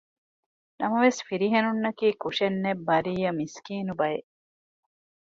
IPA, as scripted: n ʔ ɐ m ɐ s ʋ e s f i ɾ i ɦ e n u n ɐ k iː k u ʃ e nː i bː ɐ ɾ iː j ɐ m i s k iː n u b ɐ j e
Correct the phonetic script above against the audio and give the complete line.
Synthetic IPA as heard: n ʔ ɐ m ɐ ʋ e s f i ɾ i ɦ e n u nː ɐ k iː k u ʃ e nː e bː ɐ ɾ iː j ɐ m i s k iː n u b ɐ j e